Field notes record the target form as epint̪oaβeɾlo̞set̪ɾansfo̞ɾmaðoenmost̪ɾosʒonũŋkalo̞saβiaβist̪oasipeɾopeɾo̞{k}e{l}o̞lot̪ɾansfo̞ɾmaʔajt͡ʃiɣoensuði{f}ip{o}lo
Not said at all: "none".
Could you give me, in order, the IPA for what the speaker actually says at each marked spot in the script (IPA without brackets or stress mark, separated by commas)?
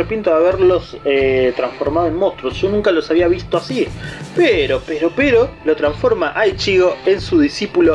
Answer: p, ɾ, s, u